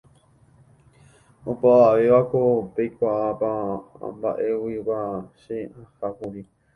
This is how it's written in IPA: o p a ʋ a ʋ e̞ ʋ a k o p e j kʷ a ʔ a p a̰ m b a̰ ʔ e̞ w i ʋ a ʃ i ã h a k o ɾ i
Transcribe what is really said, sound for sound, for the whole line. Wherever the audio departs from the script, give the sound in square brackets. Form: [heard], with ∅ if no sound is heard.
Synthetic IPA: o p a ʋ a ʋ e̞ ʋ a k o p e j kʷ a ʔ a p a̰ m b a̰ ʔ e̞ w i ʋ a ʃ [e] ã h a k [u] ɾ i